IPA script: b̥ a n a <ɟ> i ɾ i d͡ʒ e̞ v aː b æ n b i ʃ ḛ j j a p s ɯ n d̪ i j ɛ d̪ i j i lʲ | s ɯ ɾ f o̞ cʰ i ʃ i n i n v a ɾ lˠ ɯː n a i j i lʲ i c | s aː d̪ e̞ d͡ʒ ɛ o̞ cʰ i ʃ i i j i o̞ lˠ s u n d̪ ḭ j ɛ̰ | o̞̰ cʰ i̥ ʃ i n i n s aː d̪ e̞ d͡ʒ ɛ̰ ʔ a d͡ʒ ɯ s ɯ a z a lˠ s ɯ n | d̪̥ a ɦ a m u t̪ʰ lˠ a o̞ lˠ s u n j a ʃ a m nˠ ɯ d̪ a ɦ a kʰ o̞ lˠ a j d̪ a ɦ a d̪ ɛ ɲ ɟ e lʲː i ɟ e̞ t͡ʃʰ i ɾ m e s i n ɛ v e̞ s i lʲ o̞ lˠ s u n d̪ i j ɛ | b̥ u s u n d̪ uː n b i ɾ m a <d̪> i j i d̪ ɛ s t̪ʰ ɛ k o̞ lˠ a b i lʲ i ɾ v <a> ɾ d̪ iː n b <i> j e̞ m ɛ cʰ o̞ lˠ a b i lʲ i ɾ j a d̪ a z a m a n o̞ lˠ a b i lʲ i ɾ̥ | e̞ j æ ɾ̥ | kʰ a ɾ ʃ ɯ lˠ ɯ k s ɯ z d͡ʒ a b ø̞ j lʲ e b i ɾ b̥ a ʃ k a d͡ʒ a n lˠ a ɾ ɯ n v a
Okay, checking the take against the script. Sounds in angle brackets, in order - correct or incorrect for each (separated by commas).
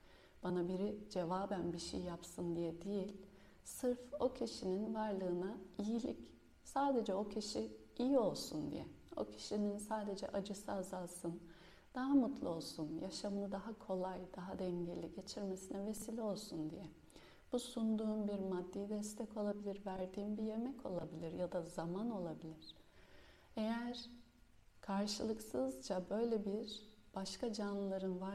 incorrect, incorrect, incorrect, correct